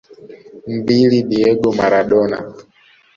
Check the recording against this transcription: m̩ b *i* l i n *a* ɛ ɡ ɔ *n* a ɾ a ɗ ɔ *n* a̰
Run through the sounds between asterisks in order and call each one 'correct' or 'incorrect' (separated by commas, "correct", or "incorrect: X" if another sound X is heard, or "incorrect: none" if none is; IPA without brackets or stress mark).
correct, incorrect: i, incorrect: m, correct